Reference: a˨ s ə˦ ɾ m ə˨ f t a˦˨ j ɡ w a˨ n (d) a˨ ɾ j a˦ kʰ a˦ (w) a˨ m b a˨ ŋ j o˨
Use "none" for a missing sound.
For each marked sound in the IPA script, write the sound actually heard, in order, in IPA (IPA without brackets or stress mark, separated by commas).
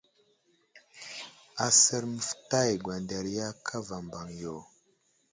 d, v